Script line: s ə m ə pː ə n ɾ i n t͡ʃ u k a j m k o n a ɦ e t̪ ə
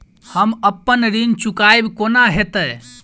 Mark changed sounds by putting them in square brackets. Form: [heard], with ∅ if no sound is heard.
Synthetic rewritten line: [h] ə m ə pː ə n ɾ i n t͡ʃ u k a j [b] k o n a ɦ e t̪ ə